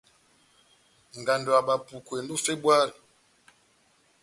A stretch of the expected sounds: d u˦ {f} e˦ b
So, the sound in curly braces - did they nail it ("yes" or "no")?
yes